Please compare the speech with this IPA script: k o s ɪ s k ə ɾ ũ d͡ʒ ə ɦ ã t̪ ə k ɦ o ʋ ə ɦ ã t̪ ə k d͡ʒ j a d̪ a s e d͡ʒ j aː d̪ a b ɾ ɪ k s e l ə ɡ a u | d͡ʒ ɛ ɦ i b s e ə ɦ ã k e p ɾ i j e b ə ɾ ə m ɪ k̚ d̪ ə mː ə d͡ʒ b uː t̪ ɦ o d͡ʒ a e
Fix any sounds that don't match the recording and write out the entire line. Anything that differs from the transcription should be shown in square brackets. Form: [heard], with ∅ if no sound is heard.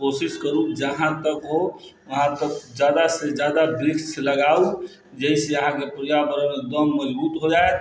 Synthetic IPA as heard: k o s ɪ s k ə ɾ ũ d͡ʒ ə ɦ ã t̪ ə k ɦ o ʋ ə ɦ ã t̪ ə k d͡ʒ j a d̪ a s e d͡ʒ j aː d̪ a b ɾ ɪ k s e l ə ɡ a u | d͡ʒ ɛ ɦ i [∅] s e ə ɦ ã k e p ɾ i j [a] b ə ɾ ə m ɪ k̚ d̪ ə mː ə d͡ʒ b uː t̪ ɦ o d͡ʒ a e